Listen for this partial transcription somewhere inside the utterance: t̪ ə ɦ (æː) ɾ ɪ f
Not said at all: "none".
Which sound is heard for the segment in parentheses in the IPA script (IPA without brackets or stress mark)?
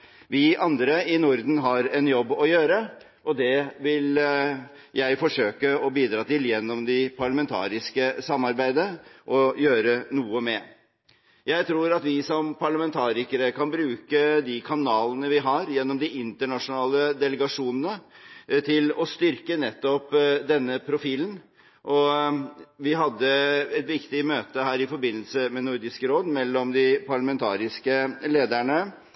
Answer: æː